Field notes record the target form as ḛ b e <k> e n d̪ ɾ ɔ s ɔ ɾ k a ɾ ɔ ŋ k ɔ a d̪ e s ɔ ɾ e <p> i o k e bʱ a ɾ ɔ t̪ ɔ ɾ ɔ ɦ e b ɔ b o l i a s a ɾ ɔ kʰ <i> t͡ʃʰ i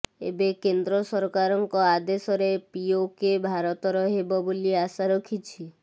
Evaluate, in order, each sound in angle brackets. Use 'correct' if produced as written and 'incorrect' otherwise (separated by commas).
correct, correct, correct